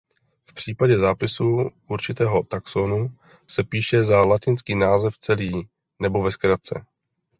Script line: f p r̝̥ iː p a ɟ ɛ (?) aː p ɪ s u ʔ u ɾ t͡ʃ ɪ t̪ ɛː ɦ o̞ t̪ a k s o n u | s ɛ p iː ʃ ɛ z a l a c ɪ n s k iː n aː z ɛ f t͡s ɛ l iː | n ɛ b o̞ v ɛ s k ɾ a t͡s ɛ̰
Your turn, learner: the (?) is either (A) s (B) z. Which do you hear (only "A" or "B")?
B